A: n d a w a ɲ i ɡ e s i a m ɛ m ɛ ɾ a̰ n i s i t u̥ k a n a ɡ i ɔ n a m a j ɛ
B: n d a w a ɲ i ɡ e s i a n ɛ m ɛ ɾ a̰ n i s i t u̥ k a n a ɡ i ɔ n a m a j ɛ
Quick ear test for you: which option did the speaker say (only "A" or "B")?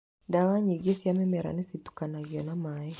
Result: A